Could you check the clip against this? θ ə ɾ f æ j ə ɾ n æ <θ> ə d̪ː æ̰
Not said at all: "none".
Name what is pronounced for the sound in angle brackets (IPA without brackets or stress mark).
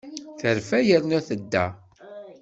θ